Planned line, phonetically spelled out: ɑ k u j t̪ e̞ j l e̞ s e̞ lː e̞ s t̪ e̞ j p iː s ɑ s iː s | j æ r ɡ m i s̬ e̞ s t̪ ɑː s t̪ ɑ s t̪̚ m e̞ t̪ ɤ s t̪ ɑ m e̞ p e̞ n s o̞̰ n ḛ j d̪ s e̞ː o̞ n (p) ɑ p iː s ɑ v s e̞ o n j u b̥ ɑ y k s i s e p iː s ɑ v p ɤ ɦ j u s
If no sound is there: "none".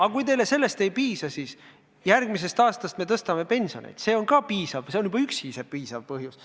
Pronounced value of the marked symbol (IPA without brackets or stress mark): k